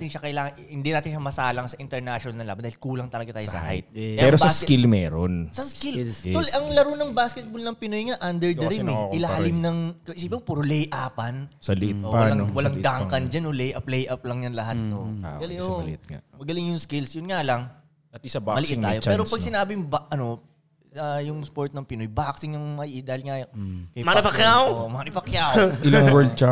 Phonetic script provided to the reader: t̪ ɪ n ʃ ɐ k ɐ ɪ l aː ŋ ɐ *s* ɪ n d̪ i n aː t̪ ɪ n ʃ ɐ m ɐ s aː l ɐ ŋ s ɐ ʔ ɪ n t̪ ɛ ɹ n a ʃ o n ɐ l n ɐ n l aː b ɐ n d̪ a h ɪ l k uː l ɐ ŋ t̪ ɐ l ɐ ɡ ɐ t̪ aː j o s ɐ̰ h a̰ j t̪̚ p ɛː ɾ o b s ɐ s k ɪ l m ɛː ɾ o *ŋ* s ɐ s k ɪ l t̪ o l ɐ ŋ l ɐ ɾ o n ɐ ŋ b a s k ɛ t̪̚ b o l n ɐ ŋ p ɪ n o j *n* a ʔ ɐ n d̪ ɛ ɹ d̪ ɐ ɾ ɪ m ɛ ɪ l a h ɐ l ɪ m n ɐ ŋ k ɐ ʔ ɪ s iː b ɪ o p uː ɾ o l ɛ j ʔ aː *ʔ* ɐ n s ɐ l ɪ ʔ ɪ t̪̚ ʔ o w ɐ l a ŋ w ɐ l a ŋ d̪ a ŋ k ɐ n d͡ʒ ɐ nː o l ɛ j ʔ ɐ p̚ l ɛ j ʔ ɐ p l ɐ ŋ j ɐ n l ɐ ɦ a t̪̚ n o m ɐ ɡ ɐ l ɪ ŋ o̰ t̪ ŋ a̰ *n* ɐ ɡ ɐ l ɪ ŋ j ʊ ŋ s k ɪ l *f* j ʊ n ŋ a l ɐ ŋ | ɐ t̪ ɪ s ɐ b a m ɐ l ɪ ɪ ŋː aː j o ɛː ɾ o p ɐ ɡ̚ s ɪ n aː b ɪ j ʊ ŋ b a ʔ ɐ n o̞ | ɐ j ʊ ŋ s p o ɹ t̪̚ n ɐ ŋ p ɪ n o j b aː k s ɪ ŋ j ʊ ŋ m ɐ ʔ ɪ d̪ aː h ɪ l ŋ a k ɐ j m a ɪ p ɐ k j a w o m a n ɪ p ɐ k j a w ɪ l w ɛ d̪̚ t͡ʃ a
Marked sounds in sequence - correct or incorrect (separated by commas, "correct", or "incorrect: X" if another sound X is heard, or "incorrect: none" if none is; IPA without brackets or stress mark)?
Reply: incorrect: h, incorrect: n, incorrect: ŋ, incorrect: p, incorrect: m, incorrect: s